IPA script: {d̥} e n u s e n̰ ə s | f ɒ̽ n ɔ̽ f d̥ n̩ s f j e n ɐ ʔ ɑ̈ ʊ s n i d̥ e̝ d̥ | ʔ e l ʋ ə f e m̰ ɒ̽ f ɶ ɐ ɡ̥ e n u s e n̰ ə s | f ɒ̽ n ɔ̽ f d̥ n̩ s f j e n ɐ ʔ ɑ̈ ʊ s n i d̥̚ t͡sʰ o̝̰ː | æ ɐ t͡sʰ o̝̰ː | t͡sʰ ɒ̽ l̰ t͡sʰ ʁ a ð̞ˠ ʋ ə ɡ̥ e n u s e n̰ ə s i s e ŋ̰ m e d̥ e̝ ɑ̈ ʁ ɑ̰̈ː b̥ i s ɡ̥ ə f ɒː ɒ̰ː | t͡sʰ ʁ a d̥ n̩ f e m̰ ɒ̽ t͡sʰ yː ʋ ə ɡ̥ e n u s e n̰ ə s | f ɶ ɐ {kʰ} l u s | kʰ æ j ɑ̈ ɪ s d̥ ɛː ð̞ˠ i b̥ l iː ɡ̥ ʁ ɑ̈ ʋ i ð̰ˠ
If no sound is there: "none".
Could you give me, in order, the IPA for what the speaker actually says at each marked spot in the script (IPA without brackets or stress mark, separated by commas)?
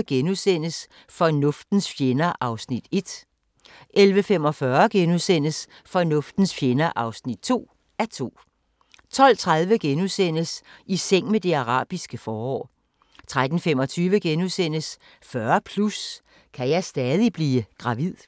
ɡ̥, pʰ